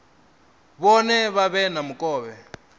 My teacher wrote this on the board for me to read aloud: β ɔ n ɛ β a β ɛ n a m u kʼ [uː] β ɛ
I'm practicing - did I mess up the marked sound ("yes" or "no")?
yes